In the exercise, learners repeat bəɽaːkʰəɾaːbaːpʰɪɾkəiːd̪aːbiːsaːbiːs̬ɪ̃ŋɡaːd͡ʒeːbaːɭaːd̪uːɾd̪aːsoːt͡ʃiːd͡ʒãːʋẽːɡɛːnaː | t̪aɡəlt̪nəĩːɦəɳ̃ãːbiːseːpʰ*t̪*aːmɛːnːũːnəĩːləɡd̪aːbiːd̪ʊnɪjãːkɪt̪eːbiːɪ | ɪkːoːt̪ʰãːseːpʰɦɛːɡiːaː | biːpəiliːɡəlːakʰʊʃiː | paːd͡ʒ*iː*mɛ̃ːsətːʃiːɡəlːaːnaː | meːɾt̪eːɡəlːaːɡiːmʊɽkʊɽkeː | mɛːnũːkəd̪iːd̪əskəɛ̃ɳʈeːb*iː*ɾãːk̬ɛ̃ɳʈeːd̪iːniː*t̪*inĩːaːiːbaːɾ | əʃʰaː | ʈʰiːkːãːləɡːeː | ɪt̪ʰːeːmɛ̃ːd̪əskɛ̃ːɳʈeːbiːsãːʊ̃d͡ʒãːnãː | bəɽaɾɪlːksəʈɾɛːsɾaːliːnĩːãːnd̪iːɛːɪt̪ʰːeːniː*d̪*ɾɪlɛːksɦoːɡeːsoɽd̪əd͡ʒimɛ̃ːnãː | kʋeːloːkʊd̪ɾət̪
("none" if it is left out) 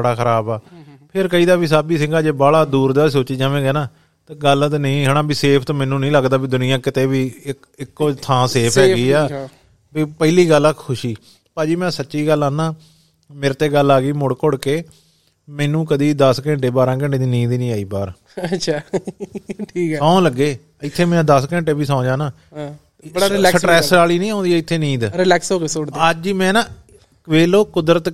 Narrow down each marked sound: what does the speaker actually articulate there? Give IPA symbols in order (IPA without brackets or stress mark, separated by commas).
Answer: t̪, iː, aː, d̪, d̪